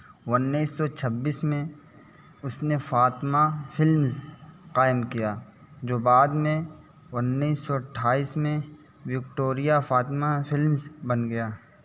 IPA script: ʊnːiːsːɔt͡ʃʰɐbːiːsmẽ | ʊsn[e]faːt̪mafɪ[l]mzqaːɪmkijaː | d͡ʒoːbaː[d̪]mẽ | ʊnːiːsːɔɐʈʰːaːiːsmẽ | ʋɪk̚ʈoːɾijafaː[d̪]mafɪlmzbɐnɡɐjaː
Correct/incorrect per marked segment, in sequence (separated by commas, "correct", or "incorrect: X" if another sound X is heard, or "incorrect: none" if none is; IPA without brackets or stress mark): correct, correct, correct, incorrect: t̪